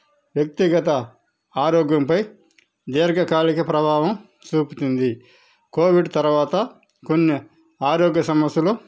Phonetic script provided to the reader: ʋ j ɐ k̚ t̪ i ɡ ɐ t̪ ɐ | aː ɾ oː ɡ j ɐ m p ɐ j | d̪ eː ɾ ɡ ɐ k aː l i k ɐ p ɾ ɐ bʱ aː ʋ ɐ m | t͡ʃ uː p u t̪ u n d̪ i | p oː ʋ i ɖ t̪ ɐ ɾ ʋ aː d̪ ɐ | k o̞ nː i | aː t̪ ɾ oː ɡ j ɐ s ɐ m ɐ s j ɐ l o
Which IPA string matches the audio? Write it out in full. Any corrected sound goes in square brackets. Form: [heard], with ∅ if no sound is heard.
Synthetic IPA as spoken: ʋ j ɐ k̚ t̪ i ɡ ɐ t̪ ɐ | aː ɾ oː ɡ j ɐ m p ɐ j | d̪ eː ɾ ɡ ɐ k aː l i k ɐ p ɾ ɐ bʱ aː ʋ ɐ m | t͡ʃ uː p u t̪ u n d̪ i | [k] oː ʋ i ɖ t̪ ɐ ɾ ʋ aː [t̪] ɐ | k o̞ nː i | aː [∅] ɾ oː ɡ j ɐ s ɐ m ɐ s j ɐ l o